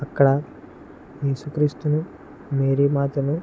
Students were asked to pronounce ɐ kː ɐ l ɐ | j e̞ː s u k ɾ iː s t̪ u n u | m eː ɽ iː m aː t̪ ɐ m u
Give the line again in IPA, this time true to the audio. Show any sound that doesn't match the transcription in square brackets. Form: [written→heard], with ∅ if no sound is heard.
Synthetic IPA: ɐ kː ɐ [l→ɽ] ɐ | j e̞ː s u k ɾ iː s t̪ u n u | m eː [ɽ→ɾ] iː m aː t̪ ɐ [m→n] u